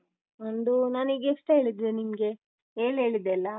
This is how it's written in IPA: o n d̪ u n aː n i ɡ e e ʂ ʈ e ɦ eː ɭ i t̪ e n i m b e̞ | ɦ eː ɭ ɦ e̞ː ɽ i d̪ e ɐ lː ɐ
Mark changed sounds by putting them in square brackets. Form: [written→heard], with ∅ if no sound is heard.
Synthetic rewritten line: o n d̪ u n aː n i ɡ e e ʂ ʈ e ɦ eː ɭ i [t̪→d̪] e n i m [b→ɡ] e̞ | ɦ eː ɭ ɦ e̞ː [ɽ→ɭ] i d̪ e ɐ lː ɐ